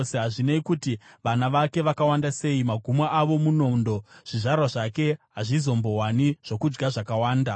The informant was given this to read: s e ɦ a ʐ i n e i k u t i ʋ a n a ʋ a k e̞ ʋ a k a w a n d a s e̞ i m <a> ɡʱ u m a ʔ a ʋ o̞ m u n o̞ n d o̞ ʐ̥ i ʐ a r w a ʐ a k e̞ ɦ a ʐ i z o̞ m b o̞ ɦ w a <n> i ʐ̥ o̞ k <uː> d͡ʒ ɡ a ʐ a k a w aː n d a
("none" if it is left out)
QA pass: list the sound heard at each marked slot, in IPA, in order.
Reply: a, n, u

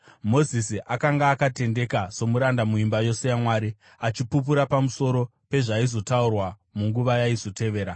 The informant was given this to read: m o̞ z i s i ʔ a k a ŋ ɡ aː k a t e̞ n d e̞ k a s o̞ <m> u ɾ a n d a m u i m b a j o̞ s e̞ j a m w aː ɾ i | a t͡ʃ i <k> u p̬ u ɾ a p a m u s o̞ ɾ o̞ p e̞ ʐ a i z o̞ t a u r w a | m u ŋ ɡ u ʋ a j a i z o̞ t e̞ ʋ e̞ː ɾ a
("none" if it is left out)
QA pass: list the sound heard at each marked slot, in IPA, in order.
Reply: m, p

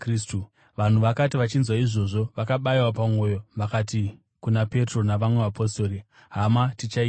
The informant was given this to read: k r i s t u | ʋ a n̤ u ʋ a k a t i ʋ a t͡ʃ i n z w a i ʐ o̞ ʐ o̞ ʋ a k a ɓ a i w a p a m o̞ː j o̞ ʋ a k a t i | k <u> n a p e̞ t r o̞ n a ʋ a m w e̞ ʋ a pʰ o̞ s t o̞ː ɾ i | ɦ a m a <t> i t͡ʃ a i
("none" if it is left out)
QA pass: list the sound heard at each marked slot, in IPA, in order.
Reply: u, t

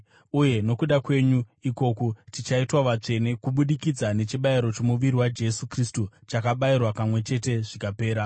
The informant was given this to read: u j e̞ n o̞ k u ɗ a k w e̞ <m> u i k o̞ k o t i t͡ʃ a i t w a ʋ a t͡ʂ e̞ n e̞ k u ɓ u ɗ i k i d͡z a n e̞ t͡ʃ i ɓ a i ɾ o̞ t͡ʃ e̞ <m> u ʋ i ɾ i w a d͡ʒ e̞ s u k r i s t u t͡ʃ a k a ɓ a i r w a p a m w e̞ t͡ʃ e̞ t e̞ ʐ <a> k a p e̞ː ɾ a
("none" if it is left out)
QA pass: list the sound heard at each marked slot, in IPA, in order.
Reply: ɲ, m, i

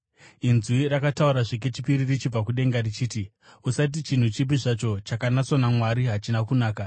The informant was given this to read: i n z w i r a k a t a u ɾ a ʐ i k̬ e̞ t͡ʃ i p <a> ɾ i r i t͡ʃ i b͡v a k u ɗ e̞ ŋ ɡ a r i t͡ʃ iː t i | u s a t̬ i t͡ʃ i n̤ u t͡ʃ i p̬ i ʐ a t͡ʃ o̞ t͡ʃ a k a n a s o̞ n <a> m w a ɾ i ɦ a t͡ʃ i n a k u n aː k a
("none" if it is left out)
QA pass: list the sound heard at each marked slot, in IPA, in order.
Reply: i, a

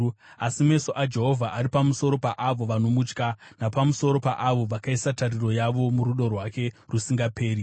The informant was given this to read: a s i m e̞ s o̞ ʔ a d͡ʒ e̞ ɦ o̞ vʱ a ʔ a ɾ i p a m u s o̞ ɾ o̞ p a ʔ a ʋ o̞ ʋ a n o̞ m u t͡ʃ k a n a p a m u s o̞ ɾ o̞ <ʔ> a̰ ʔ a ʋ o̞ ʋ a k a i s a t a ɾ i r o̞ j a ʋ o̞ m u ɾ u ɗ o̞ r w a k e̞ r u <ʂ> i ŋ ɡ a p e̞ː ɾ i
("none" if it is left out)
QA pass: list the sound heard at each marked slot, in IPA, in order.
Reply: p, s

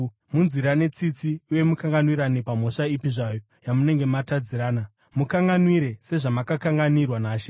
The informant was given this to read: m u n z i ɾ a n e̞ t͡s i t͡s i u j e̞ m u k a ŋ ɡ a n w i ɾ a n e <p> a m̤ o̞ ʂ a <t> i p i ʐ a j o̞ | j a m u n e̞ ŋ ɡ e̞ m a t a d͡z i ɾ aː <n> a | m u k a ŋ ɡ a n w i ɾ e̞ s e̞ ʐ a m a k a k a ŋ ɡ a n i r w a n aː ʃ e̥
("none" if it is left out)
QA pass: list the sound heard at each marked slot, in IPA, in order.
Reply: p, none, n

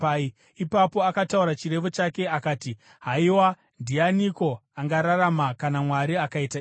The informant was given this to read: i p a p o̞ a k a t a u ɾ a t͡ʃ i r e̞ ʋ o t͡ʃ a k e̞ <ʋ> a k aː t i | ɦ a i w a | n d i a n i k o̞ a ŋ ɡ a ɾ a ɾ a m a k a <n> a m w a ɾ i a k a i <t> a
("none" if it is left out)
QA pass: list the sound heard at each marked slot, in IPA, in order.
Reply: none, n, t

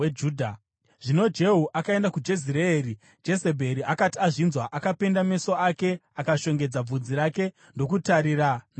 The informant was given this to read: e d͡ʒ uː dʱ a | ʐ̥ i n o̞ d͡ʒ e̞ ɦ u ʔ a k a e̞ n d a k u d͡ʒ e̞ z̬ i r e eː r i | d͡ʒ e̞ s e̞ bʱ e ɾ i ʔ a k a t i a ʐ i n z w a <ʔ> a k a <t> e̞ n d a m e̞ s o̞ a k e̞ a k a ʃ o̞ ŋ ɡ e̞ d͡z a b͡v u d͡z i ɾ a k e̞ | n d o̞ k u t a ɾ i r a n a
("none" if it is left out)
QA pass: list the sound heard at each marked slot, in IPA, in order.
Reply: ʔ, p

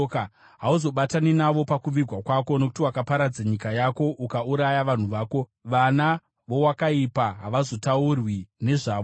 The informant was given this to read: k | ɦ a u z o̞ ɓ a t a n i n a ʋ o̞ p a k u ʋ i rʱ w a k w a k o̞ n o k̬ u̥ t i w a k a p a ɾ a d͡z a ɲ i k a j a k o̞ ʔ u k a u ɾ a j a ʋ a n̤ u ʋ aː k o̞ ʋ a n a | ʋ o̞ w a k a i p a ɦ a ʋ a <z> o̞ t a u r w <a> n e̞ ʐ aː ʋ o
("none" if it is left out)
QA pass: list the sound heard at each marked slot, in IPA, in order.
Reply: z, i

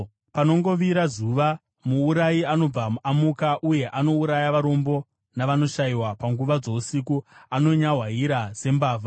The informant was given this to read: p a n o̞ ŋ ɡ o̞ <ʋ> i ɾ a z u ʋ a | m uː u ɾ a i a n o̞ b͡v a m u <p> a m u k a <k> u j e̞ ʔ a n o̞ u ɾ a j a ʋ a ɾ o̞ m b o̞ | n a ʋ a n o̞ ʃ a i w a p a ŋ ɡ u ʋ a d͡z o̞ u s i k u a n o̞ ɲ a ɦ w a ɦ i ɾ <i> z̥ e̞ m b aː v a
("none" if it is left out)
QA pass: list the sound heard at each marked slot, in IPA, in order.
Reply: ʋ, none, ʔ, a

